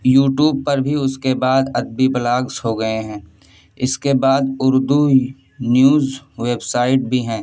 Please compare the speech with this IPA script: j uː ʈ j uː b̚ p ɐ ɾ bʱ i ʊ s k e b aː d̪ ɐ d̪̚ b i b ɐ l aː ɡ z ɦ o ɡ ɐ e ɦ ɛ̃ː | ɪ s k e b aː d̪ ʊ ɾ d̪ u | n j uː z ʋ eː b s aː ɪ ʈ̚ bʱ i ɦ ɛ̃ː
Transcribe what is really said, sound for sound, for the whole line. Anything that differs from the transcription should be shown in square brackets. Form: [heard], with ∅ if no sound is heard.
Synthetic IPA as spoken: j uː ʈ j uː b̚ p ɐ ɾ bʱ i ʊ s k e b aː d̪ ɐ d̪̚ b i b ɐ l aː ɡ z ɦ o ɡ ɐ e ɦ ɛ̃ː | ɪ s k e b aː d̪ ʊ ɾ d̪ u | n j uː z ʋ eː b s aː ɪ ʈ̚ bʱ i ɦ ɛ̃ː